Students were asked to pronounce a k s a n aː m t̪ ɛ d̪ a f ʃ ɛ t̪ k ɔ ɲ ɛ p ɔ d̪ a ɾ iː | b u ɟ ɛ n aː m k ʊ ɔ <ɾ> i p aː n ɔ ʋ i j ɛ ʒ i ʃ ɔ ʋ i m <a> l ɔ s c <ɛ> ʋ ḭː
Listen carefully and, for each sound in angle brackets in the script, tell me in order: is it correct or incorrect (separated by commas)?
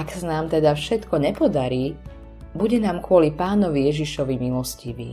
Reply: incorrect, incorrect, incorrect